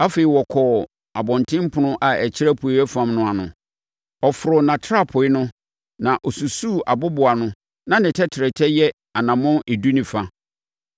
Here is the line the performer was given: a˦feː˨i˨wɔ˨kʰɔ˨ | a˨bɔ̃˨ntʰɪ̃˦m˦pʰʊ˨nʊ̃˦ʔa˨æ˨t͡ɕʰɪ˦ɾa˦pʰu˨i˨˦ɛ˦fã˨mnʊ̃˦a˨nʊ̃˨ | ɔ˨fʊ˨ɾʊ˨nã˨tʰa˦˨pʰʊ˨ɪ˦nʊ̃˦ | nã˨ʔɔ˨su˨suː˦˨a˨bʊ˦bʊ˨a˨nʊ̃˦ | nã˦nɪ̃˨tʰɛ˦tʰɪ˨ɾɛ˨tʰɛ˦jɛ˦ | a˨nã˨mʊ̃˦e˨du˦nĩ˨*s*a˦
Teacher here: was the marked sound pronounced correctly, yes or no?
no